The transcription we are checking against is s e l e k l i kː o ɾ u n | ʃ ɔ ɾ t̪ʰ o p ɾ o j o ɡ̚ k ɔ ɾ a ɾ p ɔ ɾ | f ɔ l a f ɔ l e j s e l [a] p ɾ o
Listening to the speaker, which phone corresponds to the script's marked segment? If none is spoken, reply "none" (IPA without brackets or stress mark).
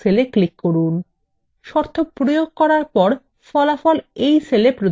e